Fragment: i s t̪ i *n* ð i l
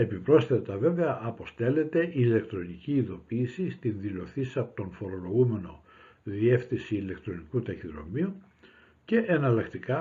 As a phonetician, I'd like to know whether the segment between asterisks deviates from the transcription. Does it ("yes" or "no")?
no